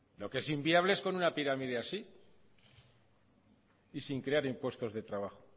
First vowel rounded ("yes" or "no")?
yes